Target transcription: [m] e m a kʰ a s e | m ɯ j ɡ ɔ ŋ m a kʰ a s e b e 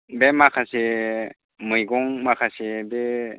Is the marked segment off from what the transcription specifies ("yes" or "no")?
yes